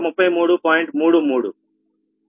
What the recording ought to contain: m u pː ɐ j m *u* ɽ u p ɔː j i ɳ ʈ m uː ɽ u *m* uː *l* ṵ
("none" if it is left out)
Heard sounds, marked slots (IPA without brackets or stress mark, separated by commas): uː, m, ɽ